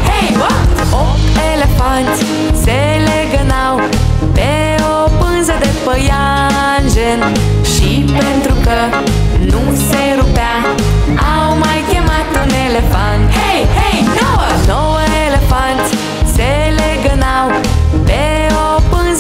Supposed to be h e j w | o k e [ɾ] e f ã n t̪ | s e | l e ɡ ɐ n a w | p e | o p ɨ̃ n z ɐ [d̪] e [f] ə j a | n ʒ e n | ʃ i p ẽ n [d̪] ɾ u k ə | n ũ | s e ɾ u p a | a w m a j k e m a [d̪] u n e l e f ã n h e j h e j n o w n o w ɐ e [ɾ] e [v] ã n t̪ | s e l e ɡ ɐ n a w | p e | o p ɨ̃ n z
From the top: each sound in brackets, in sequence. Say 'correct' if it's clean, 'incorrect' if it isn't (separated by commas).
incorrect, correct, correct, incorrect, incorrect, incorrect, incorrect